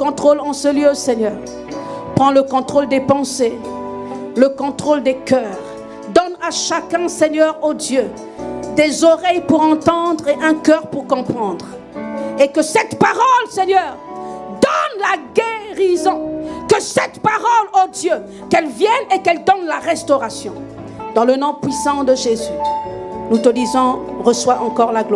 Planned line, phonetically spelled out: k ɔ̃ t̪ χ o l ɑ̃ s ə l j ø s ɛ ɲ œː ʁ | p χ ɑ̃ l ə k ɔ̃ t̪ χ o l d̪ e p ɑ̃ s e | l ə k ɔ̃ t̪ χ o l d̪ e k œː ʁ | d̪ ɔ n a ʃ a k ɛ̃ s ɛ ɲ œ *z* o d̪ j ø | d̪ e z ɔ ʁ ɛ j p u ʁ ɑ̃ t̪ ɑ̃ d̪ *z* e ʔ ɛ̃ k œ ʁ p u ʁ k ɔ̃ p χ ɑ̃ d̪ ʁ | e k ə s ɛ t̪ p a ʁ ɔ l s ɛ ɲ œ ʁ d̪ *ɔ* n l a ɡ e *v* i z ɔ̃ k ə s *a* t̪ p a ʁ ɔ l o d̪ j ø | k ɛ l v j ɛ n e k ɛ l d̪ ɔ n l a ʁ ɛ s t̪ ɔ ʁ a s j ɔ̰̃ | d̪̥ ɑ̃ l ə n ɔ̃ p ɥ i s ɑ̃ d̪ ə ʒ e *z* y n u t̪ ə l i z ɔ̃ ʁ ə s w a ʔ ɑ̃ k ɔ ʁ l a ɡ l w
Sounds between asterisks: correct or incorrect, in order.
incorrect: ʁ, incorrect: ʁ, correct, incorrect: ʁ, incorrect: ɛ, correct

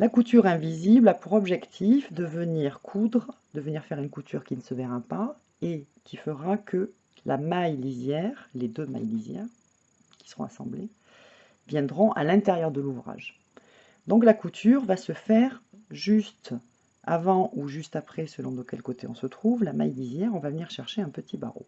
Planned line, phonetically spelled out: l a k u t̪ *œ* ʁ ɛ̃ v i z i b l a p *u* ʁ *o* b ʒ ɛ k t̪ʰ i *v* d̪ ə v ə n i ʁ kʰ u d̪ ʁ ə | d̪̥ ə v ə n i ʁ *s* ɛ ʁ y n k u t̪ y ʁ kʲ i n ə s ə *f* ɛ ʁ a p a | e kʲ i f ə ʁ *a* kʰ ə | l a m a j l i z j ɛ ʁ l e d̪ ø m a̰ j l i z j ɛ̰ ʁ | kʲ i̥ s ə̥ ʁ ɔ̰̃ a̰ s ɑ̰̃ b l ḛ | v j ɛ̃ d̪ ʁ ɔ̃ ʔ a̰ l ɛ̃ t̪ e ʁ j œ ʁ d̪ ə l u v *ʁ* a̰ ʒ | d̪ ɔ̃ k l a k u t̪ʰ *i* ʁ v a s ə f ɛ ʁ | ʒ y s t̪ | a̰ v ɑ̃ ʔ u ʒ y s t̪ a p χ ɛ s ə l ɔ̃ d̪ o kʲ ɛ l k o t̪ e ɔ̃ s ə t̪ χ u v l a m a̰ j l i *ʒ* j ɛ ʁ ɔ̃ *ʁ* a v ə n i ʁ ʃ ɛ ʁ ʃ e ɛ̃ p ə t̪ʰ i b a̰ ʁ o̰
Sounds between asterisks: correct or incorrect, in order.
incorrect: y, correct, incorrect: ɔ, incorrect: f, incorrect: f, incorrect: v, correct, correct, incorrect: y, incorrect: z, incorrect: v

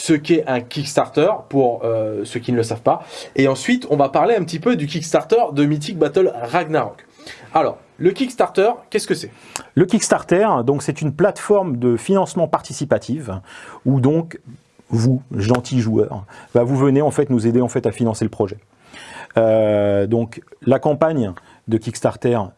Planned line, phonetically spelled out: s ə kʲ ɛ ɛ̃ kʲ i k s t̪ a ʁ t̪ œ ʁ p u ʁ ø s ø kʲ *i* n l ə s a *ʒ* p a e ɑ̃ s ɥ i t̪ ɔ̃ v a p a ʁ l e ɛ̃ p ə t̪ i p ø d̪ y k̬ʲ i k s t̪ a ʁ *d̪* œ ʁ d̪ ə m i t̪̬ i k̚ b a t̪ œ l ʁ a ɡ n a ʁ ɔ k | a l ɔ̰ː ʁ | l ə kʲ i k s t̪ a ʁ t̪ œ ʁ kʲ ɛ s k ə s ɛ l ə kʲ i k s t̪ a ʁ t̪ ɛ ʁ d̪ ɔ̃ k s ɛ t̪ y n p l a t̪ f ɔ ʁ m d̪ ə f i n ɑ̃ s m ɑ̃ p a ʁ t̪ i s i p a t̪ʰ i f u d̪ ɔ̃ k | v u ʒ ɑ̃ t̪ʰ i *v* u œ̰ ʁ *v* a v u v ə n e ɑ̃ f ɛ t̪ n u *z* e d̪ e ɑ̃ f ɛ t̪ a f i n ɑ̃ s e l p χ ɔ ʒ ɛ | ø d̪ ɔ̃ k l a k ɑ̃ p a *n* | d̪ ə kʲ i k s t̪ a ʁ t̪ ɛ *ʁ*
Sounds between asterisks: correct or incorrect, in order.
correct, incorrect: v, incorrect: t̪, incorrect: ʒ, correct, correct, incorrect: ɲ, correct

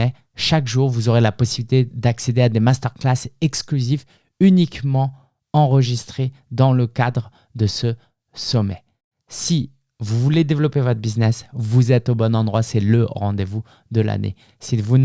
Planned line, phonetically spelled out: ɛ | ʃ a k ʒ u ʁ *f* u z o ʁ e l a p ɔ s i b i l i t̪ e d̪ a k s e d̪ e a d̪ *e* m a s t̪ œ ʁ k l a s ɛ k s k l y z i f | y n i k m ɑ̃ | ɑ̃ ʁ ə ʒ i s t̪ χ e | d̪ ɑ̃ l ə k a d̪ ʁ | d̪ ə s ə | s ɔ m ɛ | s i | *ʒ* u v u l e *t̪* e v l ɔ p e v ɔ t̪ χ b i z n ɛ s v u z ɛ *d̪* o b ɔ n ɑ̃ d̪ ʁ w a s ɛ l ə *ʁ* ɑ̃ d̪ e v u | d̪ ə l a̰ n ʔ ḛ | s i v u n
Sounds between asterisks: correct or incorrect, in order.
incorrect: v, correct, incorrect: v, incorrect: d̪, incorrect: t̪, correct

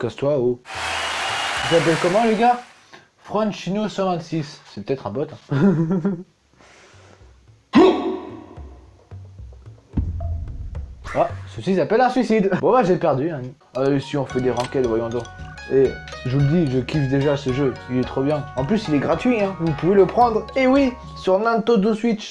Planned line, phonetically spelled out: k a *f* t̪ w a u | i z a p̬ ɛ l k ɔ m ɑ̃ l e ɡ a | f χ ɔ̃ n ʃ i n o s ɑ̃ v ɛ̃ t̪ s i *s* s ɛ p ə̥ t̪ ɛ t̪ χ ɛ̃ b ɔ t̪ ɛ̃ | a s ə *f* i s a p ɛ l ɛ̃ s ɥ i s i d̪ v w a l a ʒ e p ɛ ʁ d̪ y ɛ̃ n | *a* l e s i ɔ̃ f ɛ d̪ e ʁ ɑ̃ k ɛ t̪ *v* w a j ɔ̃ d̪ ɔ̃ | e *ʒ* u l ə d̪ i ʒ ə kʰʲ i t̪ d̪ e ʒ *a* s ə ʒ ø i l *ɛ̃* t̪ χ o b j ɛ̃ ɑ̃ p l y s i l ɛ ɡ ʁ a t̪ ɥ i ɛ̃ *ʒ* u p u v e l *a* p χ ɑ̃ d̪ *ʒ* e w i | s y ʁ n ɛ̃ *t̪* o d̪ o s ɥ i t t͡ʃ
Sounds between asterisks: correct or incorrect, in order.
incorrect: s, correct, incorrect: s, correct, correct, correct, correct, incorrect: ɛ, incorrect: v, incorrect: ə, incorrect: ʁ, correct

